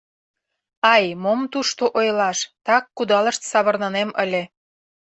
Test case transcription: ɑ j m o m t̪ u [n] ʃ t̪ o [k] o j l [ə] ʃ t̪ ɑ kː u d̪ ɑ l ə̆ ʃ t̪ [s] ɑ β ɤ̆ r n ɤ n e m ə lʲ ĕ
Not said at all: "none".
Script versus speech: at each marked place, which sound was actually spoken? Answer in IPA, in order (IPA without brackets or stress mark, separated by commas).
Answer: none, ʔ, ɑ, s